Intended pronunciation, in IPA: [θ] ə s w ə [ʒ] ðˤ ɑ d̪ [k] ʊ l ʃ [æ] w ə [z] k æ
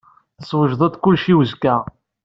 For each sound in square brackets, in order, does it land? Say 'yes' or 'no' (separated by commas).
yes, yes, yes, no, yes